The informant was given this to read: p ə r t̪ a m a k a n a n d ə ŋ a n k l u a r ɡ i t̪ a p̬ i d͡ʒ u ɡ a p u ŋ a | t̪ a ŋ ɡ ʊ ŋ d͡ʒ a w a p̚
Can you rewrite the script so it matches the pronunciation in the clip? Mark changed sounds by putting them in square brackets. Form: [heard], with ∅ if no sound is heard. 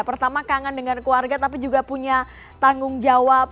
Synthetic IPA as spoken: p ə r t̪ a m a k a [ŋ] a n d ə ŋ a n k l u a r ɡ [a] t̪ a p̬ i d͡ʒ u ɡ a p u [ɲ] a | t̪ a ŋ ɡ ʊ ŋ d͡ʒ a w a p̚